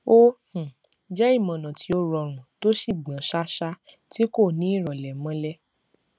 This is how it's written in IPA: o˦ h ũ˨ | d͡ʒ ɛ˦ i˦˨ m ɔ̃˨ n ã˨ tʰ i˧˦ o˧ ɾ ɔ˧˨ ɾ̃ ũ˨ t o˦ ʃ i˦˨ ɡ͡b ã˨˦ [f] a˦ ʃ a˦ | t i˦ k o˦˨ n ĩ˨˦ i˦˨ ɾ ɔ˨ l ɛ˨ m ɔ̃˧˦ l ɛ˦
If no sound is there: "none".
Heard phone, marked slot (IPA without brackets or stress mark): ʃ